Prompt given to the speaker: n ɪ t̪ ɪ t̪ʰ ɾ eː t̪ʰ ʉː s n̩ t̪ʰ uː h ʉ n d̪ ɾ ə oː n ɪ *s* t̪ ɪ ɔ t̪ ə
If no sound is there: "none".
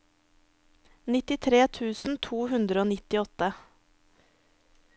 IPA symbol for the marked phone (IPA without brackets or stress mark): none